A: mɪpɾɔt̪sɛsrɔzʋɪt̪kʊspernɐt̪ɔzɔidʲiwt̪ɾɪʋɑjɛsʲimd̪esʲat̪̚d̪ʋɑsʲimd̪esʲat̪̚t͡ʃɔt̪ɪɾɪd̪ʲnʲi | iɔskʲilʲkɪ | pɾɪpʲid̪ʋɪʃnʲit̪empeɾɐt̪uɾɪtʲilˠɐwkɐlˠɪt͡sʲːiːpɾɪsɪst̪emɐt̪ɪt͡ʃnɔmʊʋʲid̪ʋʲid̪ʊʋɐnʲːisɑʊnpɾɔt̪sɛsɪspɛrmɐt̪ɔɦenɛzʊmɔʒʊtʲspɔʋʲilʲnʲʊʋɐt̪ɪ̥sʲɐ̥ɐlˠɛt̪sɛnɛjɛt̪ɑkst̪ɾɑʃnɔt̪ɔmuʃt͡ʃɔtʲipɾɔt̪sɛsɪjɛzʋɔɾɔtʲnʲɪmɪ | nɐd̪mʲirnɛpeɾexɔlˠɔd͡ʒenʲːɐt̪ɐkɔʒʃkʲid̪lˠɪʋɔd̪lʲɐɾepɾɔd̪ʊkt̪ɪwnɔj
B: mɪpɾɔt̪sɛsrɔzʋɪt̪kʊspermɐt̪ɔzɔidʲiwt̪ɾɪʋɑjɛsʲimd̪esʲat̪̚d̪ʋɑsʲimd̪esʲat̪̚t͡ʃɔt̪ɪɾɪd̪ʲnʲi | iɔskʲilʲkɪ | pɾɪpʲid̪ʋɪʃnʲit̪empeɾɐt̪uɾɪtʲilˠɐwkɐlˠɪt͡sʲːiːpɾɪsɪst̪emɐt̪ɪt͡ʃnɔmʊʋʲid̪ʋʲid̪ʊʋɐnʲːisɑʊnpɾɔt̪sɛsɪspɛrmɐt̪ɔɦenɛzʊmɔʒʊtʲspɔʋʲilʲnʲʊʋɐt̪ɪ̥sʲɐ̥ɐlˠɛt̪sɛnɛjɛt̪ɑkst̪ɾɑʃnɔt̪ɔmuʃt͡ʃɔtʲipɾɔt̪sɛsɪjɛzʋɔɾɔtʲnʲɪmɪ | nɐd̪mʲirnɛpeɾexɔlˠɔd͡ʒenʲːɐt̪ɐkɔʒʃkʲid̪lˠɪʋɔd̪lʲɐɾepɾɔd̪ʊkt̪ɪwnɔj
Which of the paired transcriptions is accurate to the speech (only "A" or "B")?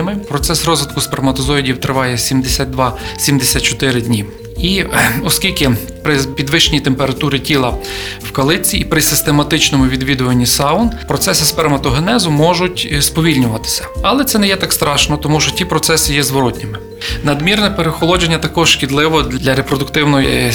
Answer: B